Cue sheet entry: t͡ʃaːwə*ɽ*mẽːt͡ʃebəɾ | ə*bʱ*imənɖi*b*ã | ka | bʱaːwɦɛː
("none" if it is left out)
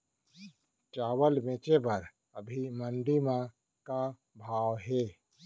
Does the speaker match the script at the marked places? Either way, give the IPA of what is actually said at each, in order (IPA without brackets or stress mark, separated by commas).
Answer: l, bʱ, m